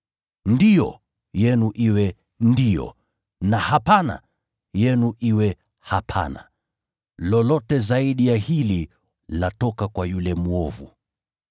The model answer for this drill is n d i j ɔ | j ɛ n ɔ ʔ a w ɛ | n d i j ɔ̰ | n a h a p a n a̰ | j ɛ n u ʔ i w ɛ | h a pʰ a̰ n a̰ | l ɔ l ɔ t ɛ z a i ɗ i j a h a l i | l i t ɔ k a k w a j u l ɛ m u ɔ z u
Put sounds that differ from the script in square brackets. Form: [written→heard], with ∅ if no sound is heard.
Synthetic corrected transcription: n d i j ɔ | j ɛ n [ɔ→u] ʔ [a→i] w ɛ | n d i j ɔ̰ | n a h a p a n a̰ | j ɛ n u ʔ i w ɛ | h a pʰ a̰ n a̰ | l ɔ l ɔ t ɛ z a i ɗ i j a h [a→i] l i | l [i→a] t ɔ k a k w a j u l ɛ m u ɔ [z→v] u